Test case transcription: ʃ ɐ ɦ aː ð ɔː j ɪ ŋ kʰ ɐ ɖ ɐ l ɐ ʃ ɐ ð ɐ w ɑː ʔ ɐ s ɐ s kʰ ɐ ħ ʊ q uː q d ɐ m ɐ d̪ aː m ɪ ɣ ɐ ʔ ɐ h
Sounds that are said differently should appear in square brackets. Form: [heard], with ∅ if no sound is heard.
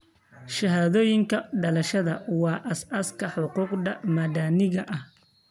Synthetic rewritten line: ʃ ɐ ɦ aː ð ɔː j ɪ ŋ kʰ ɐ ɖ ɐ l ɐ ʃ ɐ ð ɐ w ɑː ʔ ɐ s ɐ s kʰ ɐ ħ ʊ q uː q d ɐ m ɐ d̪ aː [n] ɪ ɣ ɐ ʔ ɐ h